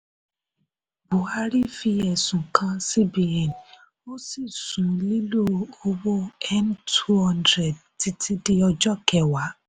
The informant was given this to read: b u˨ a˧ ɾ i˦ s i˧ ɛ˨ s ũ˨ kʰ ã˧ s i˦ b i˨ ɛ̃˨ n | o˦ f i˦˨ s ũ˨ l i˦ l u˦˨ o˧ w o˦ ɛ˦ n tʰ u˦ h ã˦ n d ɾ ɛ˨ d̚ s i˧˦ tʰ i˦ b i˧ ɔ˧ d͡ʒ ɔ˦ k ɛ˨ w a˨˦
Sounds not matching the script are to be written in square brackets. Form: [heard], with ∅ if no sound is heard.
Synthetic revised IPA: b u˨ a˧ ɾ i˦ [f] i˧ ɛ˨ s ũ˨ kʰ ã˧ s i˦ b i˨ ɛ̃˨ n | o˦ [s] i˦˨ s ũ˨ l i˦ l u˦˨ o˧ w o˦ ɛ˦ n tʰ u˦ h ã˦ n d ɾ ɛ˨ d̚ [t] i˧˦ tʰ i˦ [d] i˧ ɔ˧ d͡ʒ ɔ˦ k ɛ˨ w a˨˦